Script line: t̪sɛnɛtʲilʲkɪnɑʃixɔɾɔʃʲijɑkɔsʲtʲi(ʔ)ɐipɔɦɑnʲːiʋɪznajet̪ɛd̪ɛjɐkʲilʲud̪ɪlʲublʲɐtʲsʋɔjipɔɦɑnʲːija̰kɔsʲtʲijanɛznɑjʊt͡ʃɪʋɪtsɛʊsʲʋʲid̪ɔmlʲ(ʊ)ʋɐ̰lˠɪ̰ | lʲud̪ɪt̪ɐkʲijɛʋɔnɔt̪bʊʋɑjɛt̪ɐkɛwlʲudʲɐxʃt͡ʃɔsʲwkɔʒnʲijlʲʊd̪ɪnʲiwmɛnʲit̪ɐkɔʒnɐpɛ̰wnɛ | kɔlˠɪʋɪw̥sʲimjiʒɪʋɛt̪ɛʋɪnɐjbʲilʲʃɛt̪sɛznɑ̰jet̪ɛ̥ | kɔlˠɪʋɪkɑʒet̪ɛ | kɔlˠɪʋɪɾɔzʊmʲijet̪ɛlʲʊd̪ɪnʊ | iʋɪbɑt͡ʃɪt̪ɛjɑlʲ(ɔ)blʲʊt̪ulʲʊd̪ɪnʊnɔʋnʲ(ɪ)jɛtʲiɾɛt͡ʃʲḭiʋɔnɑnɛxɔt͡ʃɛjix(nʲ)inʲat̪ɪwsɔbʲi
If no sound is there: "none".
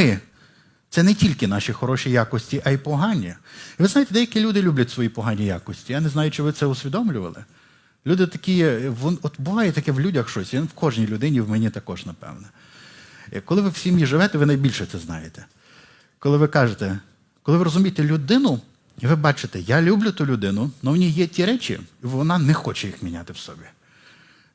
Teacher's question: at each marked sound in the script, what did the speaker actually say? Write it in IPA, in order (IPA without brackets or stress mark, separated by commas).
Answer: ʔ, ʊ, u, i, mʲ